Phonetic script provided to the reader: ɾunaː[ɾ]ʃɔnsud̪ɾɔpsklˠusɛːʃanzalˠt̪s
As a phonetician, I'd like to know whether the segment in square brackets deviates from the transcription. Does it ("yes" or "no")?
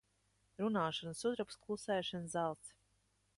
yes